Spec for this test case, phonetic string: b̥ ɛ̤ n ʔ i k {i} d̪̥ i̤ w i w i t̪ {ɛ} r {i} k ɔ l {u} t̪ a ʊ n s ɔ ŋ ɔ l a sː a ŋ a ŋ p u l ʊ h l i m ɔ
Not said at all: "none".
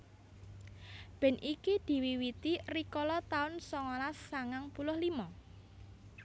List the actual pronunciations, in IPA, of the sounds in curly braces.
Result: i, i, i, ɔ

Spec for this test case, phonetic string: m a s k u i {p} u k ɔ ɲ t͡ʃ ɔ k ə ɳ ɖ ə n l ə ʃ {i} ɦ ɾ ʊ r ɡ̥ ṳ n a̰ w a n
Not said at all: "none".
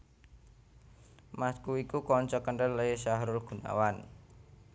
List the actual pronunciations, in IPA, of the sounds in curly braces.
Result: k, a

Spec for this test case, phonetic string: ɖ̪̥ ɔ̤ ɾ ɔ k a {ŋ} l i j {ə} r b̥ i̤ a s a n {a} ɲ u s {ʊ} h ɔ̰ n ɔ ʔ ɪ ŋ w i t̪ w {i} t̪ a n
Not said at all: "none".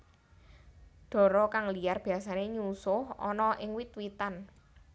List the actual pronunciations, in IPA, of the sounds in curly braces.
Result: ŋ, a, e, ʊ, i

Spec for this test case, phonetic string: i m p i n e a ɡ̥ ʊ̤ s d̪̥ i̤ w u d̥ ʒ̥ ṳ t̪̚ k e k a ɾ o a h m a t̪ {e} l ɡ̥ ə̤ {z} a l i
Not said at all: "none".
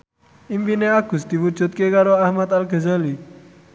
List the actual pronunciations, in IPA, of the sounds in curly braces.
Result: a, z

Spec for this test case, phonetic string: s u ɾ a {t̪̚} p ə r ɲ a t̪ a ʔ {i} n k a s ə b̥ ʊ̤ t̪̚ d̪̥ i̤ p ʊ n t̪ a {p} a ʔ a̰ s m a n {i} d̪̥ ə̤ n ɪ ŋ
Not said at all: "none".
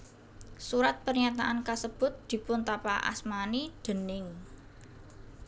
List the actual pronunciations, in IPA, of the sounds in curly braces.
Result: t̪̚, a, p, i

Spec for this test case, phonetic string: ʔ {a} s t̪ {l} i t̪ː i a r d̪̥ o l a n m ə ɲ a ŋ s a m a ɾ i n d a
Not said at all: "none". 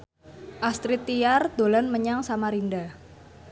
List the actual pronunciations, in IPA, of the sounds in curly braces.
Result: a, ɾ

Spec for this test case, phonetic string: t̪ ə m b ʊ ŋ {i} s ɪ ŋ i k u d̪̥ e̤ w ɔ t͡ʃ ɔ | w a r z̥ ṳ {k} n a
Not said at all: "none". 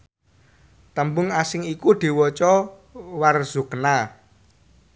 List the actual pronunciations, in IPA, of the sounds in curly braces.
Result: a, k

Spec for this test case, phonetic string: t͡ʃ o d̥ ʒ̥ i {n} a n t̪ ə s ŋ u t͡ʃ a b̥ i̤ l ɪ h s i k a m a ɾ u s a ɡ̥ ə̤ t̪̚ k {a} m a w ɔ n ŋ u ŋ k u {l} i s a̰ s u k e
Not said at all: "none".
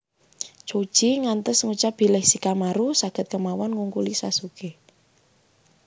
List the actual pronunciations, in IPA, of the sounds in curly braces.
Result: ŋ, ə, l

